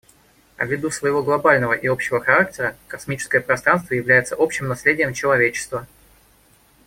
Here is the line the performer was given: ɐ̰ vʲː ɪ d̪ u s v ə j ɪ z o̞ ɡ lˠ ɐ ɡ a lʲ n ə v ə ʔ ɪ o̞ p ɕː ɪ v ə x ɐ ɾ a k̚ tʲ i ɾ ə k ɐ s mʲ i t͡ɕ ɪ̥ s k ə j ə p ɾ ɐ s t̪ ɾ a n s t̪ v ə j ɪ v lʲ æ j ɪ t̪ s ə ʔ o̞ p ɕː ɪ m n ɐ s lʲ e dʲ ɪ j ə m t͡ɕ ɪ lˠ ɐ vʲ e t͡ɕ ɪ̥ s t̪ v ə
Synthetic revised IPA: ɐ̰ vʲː ɪ d̪ u s v ə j ɪ v o̞ ɡ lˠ ɐ b a lʲ n ə v ə ʔ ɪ o̞ p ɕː ɪ v ə x ɐ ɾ a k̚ tʲ ɪ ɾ ə k ɐ s mʲ i t͡ɕ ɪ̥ s k ə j ə p ɾ ɐ s t̪ ɾ a n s t̪ v ə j ɪ v lʲ æ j ɪ t̪ s ə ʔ o̞ p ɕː ɪ m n ɐ s lʲ e dʲ ɪ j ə m t͡ɕ ɪ lˠ ɐ vʲ e t͡ɕ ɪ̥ s t̪ v ə